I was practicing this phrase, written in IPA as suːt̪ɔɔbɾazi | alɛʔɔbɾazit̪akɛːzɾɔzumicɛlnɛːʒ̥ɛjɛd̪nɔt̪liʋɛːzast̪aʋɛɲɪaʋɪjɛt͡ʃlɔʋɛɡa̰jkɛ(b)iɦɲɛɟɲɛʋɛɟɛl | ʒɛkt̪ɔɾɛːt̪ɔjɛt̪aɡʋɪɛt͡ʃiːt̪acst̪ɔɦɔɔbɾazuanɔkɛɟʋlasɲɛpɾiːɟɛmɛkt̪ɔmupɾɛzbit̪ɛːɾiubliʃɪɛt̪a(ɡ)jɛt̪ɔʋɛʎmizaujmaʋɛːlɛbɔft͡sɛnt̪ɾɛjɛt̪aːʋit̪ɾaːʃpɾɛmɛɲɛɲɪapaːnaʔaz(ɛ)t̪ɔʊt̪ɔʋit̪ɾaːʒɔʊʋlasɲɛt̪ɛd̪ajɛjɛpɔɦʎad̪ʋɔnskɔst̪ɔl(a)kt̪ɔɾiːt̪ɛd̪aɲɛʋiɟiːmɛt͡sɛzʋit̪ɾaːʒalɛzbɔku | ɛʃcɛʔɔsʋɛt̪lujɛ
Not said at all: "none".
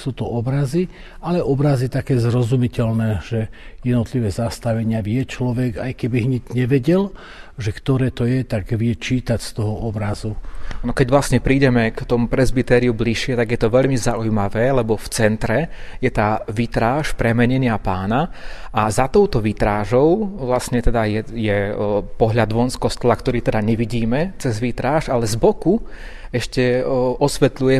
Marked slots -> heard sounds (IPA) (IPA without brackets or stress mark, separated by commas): b, ɡ, a, a